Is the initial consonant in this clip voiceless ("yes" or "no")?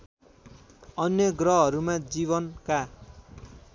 no